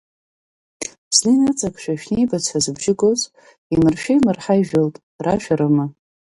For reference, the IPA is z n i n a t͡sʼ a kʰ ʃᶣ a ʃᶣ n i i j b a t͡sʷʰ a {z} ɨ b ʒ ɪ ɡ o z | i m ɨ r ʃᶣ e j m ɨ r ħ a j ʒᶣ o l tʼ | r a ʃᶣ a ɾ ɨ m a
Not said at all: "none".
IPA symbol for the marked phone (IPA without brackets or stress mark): z